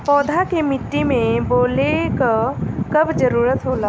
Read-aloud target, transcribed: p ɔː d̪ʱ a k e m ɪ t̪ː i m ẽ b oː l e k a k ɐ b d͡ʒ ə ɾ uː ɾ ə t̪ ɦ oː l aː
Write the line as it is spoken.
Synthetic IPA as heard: p ɔː d̪ʱ a k e m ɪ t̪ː i m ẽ b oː l e k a k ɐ b d͡ʒ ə ɾ uː ɾ ə t̪ ɦ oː l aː